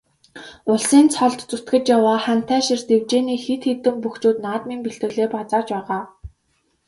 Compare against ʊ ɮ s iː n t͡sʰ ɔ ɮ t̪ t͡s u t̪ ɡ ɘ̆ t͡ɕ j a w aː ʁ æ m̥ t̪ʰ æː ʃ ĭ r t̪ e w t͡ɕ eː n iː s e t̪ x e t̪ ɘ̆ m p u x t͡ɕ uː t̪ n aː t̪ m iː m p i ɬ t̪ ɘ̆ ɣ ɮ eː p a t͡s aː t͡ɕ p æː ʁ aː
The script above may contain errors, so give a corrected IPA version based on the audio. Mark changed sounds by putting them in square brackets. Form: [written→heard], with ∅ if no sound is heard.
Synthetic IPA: ʊ ɮ s iː n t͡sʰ ɔ ɮ t̪ t͡s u t̪ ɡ ɘ̆ t͡ɕ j a w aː [ʁ→χ] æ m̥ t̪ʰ æː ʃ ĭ r t̪ e w t͡ɕ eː n iː [s→x] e t̪ x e t̪ ɘ̆ m p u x t͡ɕ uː t̪ n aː t̪ m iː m p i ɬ t̪ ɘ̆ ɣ ɮ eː p a t͡s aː t͡ɕ p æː ʁ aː